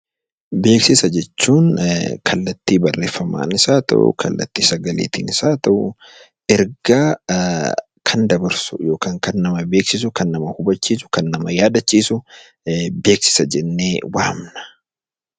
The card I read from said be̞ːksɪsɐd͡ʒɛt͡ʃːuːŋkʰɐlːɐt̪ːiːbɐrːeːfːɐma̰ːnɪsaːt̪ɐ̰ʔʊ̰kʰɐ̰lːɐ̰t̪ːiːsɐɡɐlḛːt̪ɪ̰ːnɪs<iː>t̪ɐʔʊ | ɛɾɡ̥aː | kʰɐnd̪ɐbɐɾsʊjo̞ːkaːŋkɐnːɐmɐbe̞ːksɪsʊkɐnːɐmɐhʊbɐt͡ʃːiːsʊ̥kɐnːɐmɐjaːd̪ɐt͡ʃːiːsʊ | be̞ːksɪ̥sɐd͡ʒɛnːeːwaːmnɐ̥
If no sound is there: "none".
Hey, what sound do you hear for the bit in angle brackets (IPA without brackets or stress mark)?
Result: aː